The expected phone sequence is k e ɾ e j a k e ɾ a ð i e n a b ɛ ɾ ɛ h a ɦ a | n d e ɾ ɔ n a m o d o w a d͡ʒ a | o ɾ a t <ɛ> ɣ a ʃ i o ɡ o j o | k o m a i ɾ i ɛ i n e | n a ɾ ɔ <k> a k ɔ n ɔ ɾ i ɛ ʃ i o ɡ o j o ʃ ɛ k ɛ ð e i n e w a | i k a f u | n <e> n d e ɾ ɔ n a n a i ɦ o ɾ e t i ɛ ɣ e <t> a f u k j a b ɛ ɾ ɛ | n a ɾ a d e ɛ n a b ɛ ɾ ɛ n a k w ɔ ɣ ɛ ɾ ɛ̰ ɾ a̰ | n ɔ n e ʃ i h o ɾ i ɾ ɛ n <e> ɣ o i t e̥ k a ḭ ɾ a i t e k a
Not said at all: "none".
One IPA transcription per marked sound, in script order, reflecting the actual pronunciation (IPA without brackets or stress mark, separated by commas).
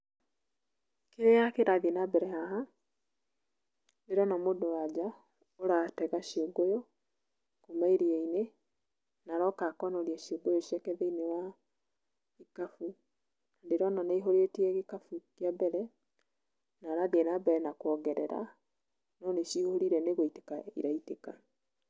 ɛ, k, a, k, e